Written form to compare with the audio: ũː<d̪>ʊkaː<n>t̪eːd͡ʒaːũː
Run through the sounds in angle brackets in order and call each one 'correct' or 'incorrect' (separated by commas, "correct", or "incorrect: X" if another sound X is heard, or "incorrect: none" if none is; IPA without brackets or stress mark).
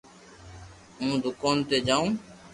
correct, correct